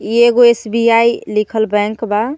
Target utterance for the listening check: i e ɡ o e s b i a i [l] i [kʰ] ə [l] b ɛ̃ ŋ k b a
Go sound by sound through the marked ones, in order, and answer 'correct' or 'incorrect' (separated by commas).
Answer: correct, correct, correct